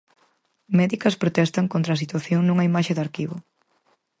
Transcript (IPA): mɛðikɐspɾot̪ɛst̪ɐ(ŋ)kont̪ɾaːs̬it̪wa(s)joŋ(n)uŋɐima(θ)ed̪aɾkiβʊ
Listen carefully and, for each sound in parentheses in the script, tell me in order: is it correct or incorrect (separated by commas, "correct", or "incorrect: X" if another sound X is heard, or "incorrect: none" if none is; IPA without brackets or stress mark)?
correct, incorrect: θ, correct, incorrect: ʃ